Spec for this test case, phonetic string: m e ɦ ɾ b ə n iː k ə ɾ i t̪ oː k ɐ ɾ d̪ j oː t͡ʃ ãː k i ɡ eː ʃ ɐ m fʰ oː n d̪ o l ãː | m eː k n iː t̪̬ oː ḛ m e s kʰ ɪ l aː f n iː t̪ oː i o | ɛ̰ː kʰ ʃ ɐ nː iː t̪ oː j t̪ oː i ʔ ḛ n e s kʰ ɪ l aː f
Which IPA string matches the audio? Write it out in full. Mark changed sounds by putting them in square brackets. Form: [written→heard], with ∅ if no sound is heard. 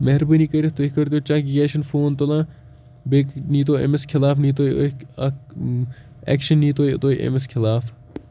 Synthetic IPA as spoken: m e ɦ ɾ b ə n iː k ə ɾ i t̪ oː k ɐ ɾ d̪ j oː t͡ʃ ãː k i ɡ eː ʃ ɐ [m→n] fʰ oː n [d̪→t̪] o l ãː | [m→b] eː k n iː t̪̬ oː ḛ m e s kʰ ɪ l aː f n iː t̪ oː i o | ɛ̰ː [kʰ→k] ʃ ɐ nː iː t̪ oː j t̪ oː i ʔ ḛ [n→m] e s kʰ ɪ l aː f